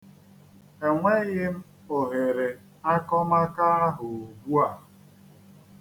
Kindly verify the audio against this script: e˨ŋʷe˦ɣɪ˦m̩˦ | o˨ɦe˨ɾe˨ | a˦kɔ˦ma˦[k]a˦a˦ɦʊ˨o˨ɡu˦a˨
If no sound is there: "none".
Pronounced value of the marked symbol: k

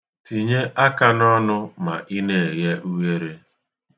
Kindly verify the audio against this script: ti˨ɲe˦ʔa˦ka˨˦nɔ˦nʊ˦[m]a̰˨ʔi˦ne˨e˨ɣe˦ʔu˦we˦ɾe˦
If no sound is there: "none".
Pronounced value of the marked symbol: m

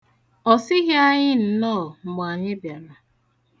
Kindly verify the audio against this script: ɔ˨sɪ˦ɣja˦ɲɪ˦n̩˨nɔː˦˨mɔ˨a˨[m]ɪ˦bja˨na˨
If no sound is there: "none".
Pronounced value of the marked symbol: ɲ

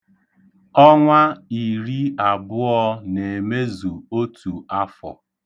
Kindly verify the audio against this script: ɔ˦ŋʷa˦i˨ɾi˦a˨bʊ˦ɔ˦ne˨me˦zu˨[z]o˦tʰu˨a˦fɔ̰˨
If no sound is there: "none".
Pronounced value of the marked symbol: none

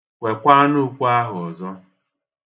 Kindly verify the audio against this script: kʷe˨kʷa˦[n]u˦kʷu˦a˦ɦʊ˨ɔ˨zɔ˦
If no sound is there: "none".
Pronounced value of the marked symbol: n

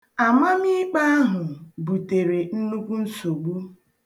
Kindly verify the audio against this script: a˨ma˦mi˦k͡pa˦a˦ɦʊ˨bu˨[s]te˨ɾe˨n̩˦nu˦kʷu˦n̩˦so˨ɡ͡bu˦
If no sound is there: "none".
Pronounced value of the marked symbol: none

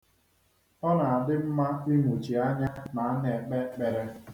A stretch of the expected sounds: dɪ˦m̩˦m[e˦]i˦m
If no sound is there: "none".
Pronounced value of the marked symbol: a˦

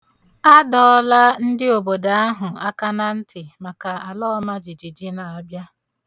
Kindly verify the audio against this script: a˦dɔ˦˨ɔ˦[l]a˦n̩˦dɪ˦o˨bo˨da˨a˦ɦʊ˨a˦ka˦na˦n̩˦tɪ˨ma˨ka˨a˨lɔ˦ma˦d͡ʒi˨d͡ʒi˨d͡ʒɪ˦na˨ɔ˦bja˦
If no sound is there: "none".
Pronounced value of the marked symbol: l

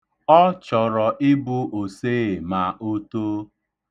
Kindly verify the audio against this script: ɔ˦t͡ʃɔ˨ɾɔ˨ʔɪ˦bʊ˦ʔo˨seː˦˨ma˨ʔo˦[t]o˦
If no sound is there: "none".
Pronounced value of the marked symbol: t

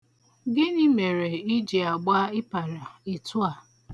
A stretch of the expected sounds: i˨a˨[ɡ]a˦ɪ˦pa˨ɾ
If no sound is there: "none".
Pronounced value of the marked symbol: ɡ͡b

